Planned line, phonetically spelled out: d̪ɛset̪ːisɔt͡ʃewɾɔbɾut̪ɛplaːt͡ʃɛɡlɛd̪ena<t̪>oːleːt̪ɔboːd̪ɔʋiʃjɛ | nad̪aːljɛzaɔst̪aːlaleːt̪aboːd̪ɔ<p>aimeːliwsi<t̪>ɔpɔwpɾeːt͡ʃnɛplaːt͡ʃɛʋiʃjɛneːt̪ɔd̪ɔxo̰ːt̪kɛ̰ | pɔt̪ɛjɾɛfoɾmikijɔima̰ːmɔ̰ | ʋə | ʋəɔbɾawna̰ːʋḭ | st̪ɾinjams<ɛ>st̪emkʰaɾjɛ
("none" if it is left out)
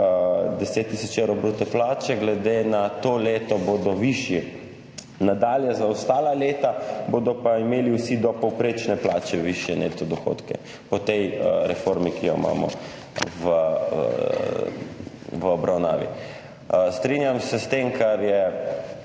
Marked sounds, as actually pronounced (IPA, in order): t̪, p, d̪, ɛ

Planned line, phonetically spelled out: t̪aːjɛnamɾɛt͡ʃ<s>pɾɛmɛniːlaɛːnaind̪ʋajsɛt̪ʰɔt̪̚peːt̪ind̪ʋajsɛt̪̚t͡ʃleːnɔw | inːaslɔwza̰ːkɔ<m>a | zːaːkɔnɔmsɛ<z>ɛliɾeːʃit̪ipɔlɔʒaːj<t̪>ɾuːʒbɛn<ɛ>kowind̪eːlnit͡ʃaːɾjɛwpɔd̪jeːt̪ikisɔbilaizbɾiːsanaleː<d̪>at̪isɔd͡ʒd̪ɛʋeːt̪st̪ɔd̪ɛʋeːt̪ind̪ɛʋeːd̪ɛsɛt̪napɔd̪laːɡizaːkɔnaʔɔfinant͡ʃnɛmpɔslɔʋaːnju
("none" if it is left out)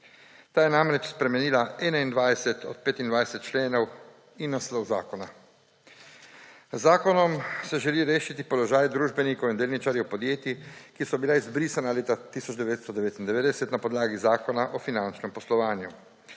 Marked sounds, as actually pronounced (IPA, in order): s, n, ʒ, d̪, i, t̪

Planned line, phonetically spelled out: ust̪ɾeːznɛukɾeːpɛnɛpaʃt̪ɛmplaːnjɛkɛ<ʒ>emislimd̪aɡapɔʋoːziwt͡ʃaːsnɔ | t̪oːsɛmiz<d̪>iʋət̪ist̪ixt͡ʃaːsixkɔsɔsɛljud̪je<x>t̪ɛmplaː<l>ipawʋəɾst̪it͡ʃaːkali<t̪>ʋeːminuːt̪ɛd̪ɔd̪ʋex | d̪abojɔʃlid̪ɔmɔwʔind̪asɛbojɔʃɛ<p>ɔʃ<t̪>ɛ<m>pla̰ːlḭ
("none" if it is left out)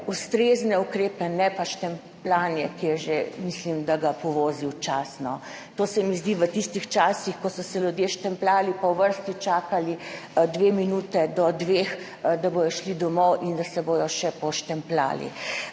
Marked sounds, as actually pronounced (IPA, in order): ʒ, d̪, ʃ, l, d̪, p, t̪, m

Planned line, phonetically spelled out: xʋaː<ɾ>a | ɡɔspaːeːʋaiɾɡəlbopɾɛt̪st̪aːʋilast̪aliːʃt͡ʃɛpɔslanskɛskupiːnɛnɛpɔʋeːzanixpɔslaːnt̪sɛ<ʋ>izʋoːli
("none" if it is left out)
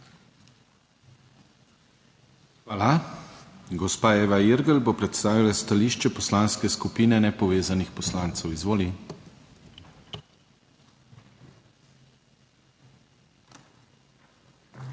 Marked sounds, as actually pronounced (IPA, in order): l, w

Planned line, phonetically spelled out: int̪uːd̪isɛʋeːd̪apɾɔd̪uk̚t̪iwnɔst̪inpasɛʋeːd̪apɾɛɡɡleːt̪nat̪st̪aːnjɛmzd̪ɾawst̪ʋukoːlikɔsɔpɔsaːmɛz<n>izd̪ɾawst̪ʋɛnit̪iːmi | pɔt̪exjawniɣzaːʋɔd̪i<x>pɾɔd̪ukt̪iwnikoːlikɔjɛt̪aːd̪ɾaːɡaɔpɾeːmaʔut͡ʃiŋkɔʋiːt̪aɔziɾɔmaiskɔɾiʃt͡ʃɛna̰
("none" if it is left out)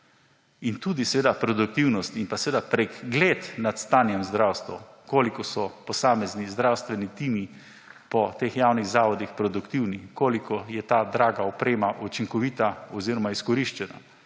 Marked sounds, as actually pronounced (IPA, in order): n, x

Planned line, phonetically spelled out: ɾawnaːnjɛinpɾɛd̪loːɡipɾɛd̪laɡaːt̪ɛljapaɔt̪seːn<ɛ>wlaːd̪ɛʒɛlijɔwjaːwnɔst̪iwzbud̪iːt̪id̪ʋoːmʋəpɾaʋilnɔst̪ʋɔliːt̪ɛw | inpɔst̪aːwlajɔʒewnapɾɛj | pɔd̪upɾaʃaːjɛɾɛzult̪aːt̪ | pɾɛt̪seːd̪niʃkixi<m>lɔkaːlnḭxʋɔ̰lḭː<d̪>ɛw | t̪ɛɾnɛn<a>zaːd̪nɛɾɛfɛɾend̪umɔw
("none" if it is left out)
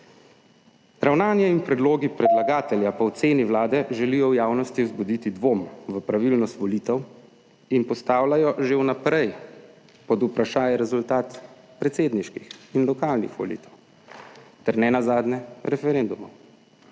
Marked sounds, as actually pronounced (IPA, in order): i, n, t̪, a

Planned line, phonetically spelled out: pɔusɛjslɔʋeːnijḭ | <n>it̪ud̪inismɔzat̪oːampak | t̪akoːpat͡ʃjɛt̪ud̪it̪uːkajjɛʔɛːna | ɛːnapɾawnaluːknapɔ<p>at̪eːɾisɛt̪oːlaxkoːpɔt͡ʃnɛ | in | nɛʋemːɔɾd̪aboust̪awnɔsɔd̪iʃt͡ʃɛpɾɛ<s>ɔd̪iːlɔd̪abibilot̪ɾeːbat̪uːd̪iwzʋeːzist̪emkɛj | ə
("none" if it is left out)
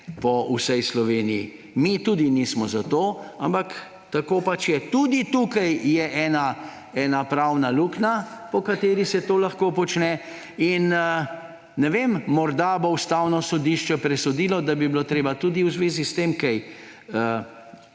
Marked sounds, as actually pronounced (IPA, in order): m, k, s

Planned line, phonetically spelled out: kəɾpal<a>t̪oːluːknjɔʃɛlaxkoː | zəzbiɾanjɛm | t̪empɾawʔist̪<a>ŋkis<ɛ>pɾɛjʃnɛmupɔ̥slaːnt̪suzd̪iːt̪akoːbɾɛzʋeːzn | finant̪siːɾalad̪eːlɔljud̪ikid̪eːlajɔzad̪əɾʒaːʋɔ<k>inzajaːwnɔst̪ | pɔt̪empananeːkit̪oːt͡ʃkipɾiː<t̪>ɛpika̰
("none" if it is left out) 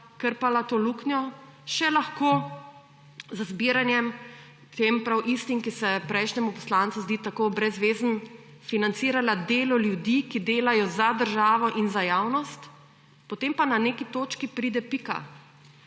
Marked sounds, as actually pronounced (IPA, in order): a, i, ɛ, ʔ, d̪

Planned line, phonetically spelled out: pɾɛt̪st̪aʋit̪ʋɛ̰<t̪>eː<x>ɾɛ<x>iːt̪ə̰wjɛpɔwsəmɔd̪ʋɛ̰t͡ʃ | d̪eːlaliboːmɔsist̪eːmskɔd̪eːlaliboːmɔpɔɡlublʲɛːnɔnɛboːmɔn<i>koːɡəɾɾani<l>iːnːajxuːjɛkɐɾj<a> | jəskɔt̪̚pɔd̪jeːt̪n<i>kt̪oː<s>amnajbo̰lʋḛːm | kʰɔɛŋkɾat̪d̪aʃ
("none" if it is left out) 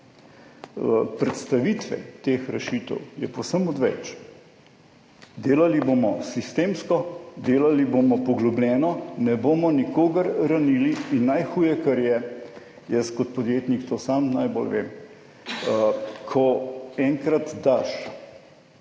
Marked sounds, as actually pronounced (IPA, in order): t̪, x, ʃ, i, l, ɛ, i, s

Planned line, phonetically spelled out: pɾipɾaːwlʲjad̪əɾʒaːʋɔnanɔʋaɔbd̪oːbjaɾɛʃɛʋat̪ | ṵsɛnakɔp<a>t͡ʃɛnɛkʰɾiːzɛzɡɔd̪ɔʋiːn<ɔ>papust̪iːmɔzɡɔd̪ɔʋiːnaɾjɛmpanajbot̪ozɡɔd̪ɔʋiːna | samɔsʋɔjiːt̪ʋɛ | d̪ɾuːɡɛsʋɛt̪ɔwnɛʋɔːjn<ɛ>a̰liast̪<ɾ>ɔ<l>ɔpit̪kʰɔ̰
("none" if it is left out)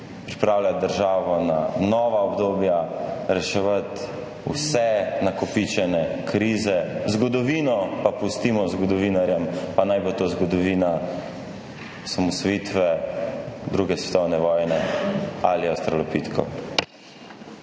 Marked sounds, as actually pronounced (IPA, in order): i, ɔ, ɛ, ɾ, l

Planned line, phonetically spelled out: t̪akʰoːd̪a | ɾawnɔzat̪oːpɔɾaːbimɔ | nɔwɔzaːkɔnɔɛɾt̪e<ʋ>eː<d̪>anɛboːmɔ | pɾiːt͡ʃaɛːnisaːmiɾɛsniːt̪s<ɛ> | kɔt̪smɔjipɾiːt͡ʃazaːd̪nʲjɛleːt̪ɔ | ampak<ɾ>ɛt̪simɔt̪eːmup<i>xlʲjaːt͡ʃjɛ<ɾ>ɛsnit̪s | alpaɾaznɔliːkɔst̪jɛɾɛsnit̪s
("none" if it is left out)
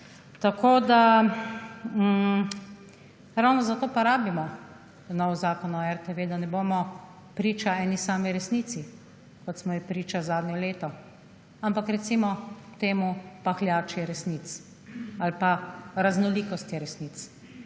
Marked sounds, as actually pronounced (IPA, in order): ʋ, d̪, i, ɾ, a, ɾ

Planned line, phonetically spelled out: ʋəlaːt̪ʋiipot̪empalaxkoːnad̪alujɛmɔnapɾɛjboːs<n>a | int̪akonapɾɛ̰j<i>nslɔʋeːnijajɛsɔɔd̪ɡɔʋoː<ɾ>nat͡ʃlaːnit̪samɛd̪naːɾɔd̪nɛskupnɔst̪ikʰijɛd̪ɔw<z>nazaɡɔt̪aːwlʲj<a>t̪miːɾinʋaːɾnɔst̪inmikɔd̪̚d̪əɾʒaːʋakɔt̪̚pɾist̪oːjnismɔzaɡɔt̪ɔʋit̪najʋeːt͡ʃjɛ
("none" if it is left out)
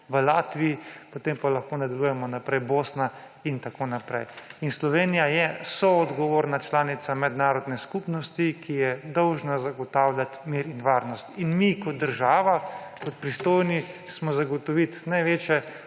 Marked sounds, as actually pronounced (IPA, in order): n, i, ɾ, ʒ, a

